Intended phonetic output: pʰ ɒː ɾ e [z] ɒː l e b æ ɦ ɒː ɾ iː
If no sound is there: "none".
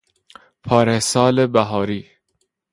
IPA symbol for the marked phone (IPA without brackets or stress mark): s